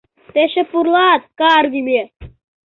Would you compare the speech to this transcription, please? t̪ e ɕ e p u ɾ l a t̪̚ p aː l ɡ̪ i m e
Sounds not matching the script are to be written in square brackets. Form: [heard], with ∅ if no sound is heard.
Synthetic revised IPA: t̪ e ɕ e p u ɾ l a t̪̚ [k] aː [ɾ] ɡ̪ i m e